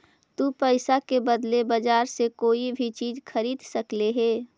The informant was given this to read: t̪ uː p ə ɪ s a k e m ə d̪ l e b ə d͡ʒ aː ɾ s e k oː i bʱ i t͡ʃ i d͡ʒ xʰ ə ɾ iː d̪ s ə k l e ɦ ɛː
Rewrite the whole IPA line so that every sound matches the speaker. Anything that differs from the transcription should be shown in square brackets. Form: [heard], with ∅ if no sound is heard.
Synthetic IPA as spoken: t̪ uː p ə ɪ s a k e [b] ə d̪ l e b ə d͡ʒ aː ɾ s e k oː i bʱ i t͡ʃ [iː] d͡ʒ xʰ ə ɾ iː d̪ s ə k l e ɦ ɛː